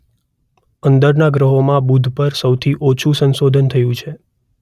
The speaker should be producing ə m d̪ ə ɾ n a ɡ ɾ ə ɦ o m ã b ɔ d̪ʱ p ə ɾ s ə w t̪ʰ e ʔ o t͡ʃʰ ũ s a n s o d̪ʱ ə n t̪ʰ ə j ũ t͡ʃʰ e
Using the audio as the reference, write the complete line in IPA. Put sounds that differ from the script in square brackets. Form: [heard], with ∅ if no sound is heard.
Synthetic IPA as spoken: ə [n] d̪ ə ɾ n a ɡ ɾ ə ɦ o m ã b [u] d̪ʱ p ə ɾ s ə w t̪ʰ [i] ʔ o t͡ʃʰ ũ s [ə] n s o d̪ʱ ə n t̪ʰ ə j ũ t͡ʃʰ e